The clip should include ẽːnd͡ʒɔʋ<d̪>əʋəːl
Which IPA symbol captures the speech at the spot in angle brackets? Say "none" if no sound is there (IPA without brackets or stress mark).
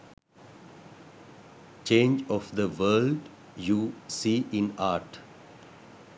d̪